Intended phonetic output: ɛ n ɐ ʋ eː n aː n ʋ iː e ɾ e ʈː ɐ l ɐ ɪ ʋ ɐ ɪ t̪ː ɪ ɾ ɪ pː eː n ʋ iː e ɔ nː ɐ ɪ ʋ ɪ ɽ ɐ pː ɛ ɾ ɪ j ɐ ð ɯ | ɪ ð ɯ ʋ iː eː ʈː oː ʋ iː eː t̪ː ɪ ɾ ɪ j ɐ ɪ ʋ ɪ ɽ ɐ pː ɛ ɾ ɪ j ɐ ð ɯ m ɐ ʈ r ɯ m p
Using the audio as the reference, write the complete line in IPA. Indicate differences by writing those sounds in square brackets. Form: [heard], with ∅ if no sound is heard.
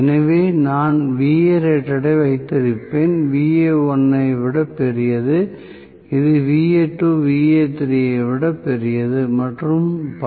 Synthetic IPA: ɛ n ɐ ʋ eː n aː n ʋ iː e ɾ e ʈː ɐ [ɽ] ɐ ɪ ʋ ɐ ɪ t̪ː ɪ ɾ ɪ pː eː n ʋ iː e ɔ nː ɐ ɪ ʋ ɪ ɽ ɐ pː ɛ ɾ ɪ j ɐ ð ɯ | ɪ ð ɯ ʋ iː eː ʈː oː ʋ iː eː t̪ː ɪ ɾ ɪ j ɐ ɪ ʋ ɪ ɽ ɐ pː ɛ ɾ ɪ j ɐ ð ɯ m ɐ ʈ r ɯ m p